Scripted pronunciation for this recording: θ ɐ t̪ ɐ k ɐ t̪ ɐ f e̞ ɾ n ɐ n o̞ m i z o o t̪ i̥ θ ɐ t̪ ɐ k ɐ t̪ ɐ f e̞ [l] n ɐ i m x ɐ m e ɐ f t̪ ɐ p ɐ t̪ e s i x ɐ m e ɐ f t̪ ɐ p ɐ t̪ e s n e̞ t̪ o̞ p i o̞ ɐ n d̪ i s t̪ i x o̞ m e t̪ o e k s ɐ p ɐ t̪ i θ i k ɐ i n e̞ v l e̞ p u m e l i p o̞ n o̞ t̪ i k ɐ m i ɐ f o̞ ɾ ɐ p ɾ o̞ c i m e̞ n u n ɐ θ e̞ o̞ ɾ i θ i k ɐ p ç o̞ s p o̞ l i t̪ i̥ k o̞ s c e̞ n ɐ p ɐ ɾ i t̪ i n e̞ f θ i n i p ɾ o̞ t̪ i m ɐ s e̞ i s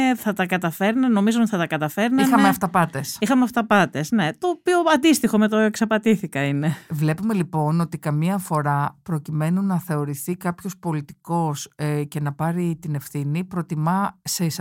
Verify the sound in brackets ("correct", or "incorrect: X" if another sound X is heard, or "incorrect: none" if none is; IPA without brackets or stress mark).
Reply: incorrect: ɾ